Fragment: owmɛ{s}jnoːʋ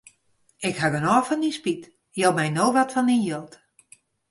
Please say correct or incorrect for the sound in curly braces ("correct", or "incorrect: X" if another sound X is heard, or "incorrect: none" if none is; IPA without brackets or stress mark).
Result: incorrect: none